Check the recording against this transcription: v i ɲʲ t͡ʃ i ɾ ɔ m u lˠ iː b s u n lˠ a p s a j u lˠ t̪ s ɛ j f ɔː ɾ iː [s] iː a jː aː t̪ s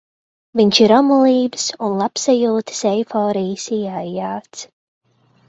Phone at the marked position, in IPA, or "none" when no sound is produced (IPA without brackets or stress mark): s